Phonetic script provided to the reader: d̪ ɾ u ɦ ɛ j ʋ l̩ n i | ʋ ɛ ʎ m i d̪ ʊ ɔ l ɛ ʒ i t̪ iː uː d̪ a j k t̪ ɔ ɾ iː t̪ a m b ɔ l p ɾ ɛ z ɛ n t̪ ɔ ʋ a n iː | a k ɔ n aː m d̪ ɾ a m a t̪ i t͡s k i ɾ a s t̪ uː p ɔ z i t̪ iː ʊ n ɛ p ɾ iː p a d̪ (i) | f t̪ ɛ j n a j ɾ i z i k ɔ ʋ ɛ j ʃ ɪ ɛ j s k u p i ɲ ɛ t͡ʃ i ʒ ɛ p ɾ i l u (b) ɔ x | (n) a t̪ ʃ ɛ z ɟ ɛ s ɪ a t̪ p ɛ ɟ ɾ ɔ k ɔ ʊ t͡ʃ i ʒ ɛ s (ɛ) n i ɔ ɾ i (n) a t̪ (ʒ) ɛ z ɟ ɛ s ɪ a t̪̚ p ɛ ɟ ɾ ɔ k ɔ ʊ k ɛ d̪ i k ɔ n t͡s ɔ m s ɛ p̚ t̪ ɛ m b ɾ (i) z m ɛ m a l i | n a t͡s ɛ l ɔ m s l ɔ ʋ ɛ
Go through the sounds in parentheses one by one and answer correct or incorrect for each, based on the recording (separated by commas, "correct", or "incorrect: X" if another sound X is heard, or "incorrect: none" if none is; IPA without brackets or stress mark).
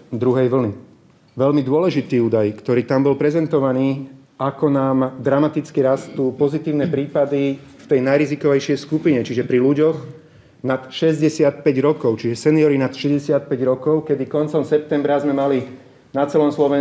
correct, incorrect: ɟ, correct, correct, correct, incorrect: ʃ, incorrect: a